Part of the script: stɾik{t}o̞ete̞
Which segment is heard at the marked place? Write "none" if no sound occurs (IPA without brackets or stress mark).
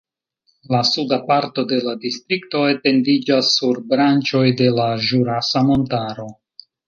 t